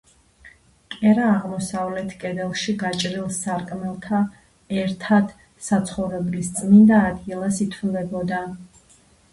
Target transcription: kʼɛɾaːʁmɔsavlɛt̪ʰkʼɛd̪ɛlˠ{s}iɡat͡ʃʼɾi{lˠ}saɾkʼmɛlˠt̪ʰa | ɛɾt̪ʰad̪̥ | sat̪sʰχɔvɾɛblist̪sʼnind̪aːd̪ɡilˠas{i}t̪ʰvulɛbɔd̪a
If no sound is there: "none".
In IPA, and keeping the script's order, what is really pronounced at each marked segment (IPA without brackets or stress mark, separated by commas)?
ʃ, lˠ, i